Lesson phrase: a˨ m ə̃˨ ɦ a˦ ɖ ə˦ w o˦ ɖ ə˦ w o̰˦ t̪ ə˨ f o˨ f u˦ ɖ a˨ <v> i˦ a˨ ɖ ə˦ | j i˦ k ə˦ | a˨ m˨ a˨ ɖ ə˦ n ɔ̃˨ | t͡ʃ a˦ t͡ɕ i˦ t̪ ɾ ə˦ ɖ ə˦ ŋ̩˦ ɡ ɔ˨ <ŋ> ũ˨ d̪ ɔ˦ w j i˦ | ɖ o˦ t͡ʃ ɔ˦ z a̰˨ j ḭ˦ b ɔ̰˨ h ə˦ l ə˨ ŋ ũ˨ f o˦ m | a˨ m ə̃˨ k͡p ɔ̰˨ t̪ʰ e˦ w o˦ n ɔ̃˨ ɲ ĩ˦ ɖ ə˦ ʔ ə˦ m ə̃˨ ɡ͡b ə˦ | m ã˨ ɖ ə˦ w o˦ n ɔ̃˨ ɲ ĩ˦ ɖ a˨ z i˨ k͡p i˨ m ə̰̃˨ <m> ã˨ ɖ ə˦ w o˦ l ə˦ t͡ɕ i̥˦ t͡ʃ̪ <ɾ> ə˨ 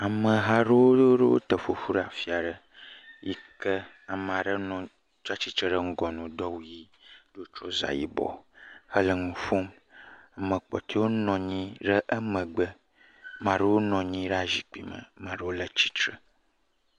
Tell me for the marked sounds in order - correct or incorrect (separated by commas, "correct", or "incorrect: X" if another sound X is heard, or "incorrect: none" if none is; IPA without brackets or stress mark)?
incorrect: f, incorrect: n, correct, correct